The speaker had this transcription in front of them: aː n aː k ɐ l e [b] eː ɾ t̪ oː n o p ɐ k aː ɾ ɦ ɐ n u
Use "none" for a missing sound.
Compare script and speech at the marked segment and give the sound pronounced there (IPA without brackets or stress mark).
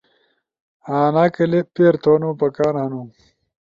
p